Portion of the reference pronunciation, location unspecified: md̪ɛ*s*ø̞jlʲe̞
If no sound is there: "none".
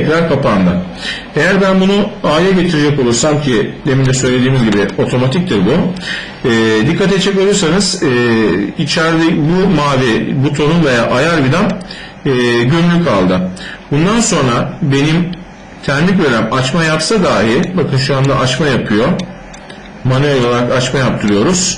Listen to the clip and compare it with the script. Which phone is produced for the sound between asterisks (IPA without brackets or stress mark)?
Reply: s